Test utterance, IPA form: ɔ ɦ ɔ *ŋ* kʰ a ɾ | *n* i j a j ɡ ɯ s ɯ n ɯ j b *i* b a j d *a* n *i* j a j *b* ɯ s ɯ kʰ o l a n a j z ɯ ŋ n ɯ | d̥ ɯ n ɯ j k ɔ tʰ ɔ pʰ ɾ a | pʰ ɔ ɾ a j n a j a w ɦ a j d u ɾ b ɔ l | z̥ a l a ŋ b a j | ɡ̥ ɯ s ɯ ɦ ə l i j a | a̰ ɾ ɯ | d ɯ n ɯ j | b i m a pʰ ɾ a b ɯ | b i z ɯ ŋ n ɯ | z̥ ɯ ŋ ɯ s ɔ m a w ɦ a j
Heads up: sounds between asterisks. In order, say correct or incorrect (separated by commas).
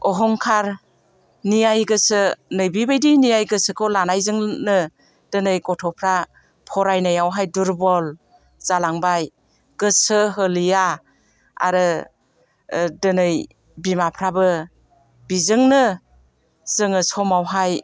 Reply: correct, correct, correct, incorrect, correct, incorrect